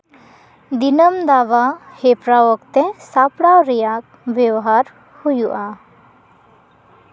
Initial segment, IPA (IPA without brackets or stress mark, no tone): d̪